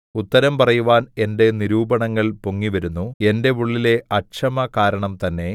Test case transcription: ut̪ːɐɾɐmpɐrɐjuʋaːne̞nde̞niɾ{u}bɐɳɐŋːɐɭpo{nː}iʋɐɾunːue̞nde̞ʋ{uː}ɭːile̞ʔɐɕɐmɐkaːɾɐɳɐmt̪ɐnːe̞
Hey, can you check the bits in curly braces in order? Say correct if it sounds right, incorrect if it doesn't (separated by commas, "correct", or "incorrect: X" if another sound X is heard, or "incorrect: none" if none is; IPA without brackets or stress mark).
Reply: incorrect: uː, incorrect: ŋː, incorrect: u